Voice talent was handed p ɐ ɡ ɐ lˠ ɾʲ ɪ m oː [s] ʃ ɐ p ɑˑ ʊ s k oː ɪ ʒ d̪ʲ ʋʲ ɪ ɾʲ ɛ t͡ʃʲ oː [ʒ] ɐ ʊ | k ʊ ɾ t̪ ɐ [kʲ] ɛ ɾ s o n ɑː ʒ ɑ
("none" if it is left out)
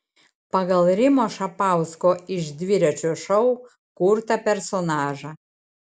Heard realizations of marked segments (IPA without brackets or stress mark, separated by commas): none, ʃ, pʲ